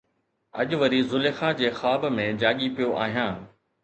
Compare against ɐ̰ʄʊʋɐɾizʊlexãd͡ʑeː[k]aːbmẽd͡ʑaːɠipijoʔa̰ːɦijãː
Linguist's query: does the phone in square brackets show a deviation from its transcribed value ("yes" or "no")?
yes